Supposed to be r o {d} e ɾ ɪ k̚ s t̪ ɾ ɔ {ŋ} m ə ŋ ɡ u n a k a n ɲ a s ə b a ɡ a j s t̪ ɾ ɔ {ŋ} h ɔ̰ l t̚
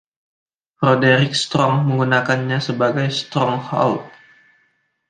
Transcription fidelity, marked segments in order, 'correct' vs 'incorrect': correct, correct, correct

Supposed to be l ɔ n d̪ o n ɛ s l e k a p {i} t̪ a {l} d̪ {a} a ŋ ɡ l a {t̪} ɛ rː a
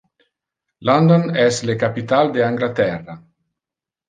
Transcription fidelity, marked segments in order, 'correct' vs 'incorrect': correct, correct, incorrect, correct

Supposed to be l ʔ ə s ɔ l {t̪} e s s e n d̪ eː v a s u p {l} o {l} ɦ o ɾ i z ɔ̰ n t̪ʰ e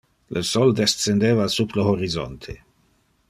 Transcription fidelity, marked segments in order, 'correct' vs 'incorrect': incorrect, correct, incorrect

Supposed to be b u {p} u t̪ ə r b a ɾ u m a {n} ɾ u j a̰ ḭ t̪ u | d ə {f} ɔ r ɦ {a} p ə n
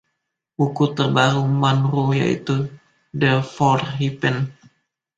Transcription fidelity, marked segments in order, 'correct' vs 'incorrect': incorrect, correct, correct, incorrect

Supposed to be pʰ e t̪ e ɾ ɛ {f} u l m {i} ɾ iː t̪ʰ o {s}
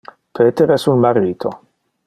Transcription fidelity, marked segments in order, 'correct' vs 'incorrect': incorrect, incorrect, incorrect

